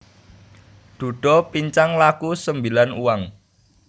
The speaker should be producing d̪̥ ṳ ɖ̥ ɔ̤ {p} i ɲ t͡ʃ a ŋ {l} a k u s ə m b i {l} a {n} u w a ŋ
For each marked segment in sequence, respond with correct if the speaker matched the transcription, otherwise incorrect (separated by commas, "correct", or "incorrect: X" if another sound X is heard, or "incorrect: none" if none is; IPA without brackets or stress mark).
correct, correct, correct, correct